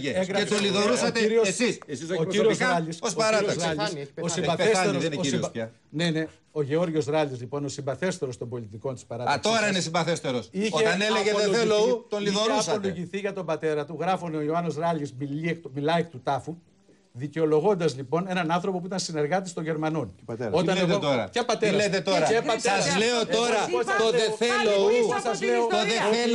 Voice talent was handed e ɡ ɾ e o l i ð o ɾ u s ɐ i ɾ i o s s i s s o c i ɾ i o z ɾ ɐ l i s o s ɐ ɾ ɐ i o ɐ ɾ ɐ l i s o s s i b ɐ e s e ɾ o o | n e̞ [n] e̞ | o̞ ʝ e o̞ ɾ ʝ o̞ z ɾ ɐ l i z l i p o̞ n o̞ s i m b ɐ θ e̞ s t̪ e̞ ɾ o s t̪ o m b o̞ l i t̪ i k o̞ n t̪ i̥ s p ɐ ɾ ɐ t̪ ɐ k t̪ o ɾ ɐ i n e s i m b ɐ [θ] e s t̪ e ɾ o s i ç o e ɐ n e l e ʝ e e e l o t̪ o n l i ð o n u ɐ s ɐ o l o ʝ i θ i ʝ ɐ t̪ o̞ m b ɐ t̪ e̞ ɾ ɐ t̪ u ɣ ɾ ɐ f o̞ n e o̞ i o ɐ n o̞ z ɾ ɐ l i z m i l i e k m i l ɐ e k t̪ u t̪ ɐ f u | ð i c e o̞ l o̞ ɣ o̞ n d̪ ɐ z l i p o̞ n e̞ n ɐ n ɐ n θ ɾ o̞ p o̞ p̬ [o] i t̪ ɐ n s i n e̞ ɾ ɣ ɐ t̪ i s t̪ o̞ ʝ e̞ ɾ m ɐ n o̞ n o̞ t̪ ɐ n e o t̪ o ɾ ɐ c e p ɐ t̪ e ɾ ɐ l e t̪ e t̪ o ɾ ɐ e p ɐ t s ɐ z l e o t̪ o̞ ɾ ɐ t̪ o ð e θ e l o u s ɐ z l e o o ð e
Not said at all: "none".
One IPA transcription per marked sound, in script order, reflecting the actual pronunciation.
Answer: n, θ, u

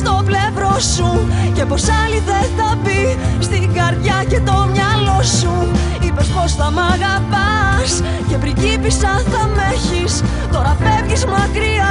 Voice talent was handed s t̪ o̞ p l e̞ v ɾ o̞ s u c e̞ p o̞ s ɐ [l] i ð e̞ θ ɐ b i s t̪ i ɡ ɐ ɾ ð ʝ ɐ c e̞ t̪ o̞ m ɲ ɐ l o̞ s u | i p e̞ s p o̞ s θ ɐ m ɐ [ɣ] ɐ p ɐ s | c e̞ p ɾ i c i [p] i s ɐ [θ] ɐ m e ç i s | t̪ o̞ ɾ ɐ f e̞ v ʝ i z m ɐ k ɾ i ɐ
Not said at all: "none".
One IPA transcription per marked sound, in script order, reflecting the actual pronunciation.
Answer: l, ɣ, p, θ

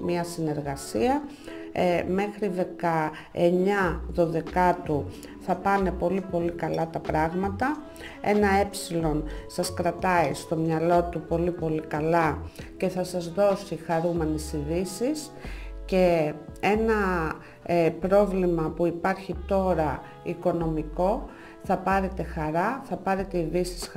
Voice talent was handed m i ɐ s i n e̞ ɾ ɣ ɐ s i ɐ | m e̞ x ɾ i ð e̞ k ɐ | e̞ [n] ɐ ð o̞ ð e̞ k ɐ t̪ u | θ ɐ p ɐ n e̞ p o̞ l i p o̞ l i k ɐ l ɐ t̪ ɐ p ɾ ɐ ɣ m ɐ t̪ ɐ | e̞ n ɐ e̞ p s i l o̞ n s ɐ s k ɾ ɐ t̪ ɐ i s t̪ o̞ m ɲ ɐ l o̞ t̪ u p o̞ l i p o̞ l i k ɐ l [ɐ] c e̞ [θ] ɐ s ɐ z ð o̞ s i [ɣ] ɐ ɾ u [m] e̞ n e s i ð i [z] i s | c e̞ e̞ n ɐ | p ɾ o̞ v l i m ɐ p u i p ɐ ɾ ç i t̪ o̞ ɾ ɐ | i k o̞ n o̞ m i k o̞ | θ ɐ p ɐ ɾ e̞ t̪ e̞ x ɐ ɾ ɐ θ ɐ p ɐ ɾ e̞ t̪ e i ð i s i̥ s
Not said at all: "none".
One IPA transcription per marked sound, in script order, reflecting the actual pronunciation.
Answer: ɲ, ɐ, θ, x, m, s

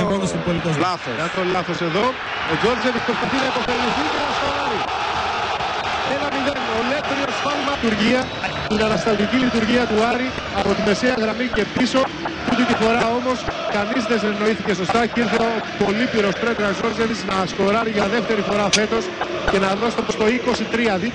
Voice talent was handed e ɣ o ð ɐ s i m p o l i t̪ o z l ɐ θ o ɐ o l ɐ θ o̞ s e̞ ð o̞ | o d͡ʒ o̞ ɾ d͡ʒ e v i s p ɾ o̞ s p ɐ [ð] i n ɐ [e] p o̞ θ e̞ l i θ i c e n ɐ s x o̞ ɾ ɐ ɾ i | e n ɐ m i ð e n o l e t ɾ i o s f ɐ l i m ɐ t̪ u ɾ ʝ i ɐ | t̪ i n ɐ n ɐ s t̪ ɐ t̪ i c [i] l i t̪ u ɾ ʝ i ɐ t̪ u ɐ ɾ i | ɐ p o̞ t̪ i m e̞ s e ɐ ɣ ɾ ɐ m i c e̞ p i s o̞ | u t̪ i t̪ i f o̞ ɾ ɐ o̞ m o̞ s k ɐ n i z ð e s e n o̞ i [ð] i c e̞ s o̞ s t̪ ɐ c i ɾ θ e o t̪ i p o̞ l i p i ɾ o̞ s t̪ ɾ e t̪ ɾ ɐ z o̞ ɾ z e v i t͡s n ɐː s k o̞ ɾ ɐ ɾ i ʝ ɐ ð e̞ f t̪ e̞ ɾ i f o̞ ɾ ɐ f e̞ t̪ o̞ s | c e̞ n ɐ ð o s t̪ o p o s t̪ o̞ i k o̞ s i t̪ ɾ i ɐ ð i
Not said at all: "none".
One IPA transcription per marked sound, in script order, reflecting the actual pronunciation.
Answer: θ, i, i, θ

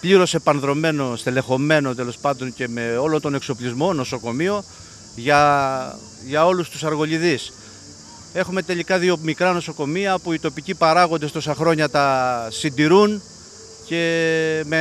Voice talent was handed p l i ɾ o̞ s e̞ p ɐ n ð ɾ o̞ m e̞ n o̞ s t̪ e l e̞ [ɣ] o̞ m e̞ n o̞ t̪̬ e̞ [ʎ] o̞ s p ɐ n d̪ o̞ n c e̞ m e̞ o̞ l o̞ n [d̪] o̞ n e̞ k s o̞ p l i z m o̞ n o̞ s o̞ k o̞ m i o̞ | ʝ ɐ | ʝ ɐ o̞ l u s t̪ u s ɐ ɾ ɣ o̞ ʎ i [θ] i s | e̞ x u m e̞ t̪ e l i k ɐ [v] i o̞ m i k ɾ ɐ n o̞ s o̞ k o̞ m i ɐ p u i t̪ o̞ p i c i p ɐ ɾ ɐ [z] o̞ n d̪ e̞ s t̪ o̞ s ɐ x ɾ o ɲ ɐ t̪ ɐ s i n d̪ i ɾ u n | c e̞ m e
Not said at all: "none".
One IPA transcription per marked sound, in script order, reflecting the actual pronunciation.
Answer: x, l, t̪, ð, ð, ɣ

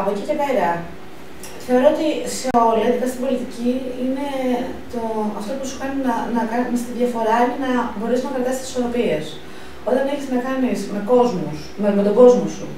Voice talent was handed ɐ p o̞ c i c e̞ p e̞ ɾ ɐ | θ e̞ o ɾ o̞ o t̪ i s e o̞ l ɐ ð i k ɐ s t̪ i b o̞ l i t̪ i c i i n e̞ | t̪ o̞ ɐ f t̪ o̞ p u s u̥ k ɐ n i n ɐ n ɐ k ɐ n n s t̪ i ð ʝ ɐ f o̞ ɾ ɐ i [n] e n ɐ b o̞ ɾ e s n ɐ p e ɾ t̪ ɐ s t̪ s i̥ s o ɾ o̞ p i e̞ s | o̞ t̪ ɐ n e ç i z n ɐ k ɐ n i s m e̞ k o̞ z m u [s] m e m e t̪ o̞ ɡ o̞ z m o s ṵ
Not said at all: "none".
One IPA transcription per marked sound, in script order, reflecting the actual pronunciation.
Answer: n, s

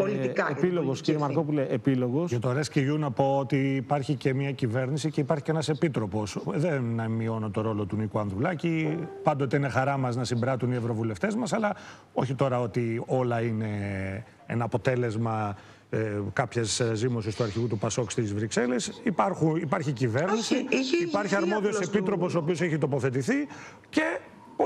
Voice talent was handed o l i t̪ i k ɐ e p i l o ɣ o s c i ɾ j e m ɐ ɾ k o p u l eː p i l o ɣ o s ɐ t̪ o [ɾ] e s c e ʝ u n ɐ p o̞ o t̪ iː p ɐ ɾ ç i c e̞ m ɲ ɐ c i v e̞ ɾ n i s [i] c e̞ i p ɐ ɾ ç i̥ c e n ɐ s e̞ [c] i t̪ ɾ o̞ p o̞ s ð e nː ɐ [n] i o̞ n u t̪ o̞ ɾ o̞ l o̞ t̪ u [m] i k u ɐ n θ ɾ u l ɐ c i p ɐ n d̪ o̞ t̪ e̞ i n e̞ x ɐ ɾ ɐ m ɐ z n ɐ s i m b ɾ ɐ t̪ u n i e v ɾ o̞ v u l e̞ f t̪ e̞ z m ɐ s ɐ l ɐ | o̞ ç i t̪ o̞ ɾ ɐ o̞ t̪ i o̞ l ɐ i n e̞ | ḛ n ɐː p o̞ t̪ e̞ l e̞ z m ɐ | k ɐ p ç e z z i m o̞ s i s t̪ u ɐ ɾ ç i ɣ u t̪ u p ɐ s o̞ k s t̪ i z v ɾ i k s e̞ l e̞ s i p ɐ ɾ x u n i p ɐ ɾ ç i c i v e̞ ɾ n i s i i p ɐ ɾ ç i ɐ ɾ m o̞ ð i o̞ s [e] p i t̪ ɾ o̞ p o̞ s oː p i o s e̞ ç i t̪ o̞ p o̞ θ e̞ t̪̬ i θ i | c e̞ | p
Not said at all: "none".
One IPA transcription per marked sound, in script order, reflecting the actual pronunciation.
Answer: ɾ, i, p, m, n, e

